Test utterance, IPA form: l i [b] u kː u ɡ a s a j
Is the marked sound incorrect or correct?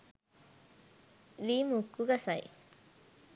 incorrect